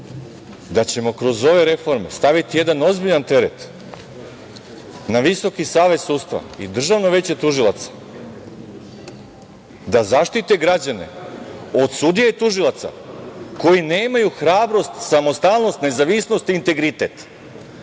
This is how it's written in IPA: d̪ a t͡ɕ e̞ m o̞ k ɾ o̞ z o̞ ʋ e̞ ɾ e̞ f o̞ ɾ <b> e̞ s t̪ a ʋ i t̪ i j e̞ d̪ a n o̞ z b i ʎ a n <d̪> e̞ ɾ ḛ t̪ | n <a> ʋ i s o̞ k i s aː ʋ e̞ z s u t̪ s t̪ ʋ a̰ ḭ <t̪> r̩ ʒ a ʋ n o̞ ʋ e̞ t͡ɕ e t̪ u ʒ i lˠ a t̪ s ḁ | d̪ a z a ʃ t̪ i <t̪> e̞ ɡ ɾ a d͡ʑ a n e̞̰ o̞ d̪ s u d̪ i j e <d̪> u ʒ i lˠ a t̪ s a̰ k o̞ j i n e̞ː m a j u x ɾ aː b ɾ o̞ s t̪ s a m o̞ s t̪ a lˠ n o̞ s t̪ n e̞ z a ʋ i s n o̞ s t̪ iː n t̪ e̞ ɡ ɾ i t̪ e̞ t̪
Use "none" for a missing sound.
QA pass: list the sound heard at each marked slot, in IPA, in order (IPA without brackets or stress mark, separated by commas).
m, t̪, a, d̪, t̪, t̪